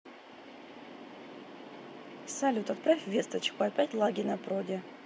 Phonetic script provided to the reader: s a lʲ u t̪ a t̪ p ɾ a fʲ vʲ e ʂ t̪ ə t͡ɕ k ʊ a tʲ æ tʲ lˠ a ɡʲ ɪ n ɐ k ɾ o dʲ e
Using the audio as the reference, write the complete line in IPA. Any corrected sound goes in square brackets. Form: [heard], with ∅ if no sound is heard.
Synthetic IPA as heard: s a lʲ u t̪ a t̪ p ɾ a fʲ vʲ e [s] t̪ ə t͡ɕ k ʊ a [pʲ] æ tʲ lˠ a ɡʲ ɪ n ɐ [p] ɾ o dʲ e